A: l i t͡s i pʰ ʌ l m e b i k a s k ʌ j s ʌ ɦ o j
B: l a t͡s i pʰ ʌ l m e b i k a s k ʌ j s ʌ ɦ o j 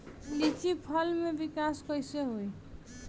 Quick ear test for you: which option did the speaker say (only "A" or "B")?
A